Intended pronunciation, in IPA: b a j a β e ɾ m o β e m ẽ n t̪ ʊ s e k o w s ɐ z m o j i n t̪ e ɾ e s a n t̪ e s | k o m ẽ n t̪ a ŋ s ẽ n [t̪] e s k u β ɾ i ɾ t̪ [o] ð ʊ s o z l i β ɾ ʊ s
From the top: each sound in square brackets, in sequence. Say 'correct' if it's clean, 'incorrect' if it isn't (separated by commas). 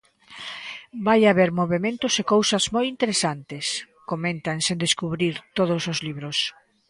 incorrect, correct